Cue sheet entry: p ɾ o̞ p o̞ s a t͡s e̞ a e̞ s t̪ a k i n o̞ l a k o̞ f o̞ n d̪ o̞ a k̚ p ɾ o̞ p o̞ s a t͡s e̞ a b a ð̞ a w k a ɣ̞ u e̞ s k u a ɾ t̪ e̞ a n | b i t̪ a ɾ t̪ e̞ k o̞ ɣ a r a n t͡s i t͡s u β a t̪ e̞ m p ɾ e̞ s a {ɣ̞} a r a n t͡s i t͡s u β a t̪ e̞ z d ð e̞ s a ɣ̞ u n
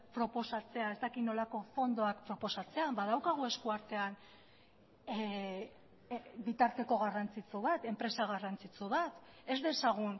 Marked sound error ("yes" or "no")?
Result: no